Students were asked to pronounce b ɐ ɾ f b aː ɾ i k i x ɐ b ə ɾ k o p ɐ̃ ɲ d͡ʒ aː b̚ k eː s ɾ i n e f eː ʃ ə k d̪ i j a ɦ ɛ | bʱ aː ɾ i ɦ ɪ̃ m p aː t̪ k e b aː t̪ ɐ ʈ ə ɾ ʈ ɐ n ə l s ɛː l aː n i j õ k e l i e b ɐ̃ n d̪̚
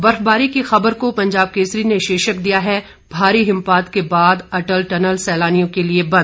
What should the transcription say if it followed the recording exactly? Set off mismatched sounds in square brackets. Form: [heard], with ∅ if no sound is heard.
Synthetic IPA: b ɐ ɾ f b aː ɾ i k i x ɐ b ə ɾ k o p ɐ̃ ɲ d͡ʒ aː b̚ k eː s ɾ i n e [ʃ] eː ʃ ə k d̪ i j a ɦ ɛ | bʱ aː ɾ i ɦ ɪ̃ m p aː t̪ k e b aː [d̪] ɐ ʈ ə [l] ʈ ɐ n ə l s ɛː l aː n i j õ k e l i e b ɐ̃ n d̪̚

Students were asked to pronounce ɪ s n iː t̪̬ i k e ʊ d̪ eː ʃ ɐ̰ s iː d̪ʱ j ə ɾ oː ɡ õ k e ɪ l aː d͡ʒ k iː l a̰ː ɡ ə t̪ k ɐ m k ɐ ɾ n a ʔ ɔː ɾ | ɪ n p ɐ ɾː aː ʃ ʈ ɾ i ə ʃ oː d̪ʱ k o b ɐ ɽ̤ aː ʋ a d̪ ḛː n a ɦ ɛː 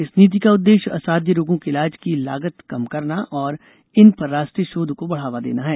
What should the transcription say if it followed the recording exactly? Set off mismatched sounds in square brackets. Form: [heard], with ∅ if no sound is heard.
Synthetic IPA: ɪ s n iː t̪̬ i k [a] ʊ [d̪ː] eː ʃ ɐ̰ s [aː] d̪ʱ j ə ɾ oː ɡ õ k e ɪ l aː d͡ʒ k [i] l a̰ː ɡ ə t̪ k ɐ m k ɐ ɾ n a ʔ ɔː ɾ | ɪ n p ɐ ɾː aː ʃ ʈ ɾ i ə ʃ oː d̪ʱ k o b ɐ ɽ̤ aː ʋ a d̪ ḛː n a ɦ ɛː

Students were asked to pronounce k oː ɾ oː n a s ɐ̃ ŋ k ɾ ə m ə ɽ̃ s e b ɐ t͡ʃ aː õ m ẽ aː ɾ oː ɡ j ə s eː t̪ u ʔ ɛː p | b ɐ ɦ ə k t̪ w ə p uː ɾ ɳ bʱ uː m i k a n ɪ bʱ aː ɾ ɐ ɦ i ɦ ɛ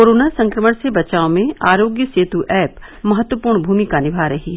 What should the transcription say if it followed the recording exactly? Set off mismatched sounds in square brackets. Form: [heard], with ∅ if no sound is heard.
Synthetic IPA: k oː ɾ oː n a s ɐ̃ ŋ k ɾ ə m ə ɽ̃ s e b ɐ t͡ʃ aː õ m ẽ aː ɾ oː ɡ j ə s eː t̪ u ʔ ɛː p | [m] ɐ ɦ ə [∅] t̪ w ə p uː ɾ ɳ bʱ uː m i k a n ɪ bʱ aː ɾ ɐ ɦ i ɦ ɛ

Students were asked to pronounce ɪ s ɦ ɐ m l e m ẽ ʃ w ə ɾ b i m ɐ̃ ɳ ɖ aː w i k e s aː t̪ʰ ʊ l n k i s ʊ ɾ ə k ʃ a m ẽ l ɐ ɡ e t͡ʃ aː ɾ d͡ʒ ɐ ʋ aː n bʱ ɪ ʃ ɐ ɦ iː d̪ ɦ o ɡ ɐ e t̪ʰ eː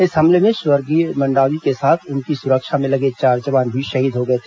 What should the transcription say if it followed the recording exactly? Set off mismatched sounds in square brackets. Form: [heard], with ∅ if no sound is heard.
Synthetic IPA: ɪ s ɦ ɐ m l e m ẽ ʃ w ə ɾ [ɡ] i m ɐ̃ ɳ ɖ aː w i k e s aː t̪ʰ ʊ [∅] n k i s ʊ ɾ ə k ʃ a m ẽ l ɐ ɡ e t͡ʃ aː ɾ d͡ʒ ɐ ʋ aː n bʱ [i] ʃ ɐ ɦ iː d̪ ɦ o ɡ ɐ e t̪ʰ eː

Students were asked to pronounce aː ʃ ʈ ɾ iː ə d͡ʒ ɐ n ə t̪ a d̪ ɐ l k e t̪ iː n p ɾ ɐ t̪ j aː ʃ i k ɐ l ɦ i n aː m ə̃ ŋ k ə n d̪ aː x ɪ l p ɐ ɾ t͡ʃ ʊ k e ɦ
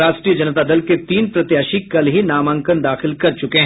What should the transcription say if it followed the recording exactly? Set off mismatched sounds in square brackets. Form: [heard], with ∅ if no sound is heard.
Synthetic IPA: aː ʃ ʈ ɾ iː ə d͡ʒ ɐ n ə t̪ a d̪ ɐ l k e t̪ iː n p ɾ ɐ t̪ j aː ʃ i k ɐ l ɦ i n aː m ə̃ ŋ k ə n d̪ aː x ɪ l [k] ɐ ɾ t͡ʃ ʊ k e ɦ

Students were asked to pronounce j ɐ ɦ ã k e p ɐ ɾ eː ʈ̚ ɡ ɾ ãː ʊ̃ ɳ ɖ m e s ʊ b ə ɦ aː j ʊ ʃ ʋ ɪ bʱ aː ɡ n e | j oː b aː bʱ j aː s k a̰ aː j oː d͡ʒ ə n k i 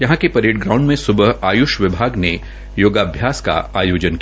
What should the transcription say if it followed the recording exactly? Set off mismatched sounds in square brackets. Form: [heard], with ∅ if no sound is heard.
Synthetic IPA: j ɐ ɦ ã k e p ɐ ɾ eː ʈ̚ ɡ ɾ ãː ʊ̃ ɳ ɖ m [ẽ] s ʊ b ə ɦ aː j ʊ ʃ ʋ ɪ bʱ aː ɡ n e | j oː [ɡ] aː bʱ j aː s k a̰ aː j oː d͡ʒ ə n k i

